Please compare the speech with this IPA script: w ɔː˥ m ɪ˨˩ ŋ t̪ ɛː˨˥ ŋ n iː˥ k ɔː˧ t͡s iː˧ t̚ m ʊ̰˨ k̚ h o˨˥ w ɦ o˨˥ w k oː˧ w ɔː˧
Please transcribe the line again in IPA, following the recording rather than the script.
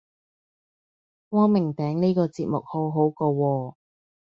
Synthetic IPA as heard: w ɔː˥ m ɪ˨˩ ŋ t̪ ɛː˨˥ ŋ n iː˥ k ɔː˧ t͡s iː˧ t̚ m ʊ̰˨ k̚ h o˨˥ w ɦ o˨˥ w k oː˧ w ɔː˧